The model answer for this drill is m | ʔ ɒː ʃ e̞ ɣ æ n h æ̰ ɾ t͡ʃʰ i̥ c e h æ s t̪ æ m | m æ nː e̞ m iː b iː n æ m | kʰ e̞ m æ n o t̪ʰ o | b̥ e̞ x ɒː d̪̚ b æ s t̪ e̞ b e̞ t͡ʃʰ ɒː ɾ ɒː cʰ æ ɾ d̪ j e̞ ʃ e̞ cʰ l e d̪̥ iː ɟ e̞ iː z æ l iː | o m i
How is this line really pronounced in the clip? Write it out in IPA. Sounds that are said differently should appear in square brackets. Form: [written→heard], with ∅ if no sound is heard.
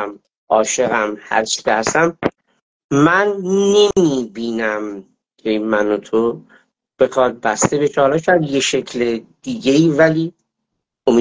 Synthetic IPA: m | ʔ ɒː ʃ e̞ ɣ æ [n→m] h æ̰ ɾ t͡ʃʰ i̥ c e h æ s t̪ æ m | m æ nː e̞ m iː b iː n æ m | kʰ e̞ m æ n o t̪ʰ o | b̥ e̞ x ɒː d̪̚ b æ s t̪ e̞ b e̞ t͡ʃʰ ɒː [ɾ→l] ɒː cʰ æ ɾ d̪ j e̞ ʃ e̞ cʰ l e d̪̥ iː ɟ e̞ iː [z→v] æ l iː | o m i

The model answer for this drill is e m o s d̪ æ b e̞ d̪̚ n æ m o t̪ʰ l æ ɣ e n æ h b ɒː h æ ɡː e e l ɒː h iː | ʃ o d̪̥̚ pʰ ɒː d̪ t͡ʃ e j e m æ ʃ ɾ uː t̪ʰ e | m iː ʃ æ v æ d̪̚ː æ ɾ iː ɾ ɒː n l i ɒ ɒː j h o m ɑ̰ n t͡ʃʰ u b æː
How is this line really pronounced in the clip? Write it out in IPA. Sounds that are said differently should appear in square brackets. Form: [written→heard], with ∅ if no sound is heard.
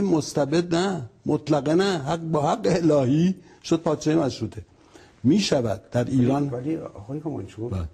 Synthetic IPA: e m o s [d̪→t̪] æ b e̞ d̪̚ n æ m o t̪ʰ l æ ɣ e n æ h b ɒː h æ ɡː e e l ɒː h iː | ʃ o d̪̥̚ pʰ ɒː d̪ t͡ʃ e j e m æ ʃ ɾ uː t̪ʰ e | m iː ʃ æ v æ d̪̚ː æ ɾ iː ɾ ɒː n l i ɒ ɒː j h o m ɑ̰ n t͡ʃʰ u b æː

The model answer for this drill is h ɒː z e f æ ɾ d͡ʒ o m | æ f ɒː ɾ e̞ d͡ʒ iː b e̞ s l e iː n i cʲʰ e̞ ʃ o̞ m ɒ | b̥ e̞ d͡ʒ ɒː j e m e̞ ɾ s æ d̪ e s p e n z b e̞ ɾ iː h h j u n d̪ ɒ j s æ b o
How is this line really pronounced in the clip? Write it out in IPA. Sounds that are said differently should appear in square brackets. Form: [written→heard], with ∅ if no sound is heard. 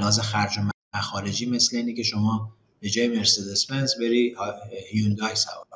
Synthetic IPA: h ɒː z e [f→x] æ ɾ d͡ʒ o m | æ [f→x] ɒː ɾ e̞ d͡ʒ iː [b→m] e̞ s l e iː n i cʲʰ e̞ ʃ o̞ m [ɒ→ɒː] | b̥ e̞ d͡ʒ ɒː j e m e̞ ɾ s [æ→e] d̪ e s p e n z b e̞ ɾ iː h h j u n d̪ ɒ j s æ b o

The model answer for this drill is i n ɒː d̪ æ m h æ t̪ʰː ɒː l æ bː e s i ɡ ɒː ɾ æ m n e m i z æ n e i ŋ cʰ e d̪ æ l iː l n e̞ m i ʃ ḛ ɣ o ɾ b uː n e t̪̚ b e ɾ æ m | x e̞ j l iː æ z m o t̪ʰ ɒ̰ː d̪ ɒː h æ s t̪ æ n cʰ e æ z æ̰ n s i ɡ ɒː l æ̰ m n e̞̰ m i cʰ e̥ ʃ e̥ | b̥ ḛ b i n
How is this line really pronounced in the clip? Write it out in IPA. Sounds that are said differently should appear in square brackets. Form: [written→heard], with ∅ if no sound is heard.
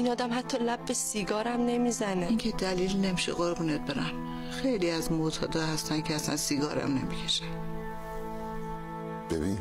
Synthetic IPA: i n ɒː d̪ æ m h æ t̪ʰː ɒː l æ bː e s i ɡ ɒː ɾ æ m n e m i z æ n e i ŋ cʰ e d̪ æ l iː l n e̞ m i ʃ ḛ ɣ o ɾ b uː n e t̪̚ b e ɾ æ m | x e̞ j l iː æ z m o t̪ʰ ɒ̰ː d̪ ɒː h æ s t̪ æ n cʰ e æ [z→s] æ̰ n s i ɡ ɒː [l→ɾ] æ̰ m n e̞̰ m i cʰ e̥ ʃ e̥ | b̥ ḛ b i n

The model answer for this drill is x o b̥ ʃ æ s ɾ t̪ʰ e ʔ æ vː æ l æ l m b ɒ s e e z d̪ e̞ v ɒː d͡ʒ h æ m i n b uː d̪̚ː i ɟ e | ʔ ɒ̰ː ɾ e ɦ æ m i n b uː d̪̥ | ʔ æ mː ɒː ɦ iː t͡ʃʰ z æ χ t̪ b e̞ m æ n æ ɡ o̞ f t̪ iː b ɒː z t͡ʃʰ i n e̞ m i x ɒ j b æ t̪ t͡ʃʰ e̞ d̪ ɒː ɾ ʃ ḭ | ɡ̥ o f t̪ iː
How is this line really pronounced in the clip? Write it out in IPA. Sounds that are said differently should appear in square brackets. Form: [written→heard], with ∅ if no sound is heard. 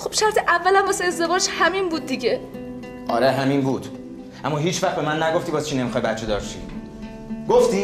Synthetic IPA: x o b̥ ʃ æ [s→∅] ɾ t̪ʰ e ʔ æ vː æ l æ [l→∅] m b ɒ s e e z d̪ e̞ v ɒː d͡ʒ h æ m i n b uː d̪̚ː i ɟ e | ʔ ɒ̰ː ɾ e ɦ æ m i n b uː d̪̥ | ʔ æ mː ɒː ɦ iː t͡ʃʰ [z→v] æ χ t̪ b e̞ m æ [n→nː] æ ɡ o̞ f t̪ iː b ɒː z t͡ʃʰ i n e̞ m i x ɒ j b æ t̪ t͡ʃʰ e̞ d̪ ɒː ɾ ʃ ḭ | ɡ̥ o f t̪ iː

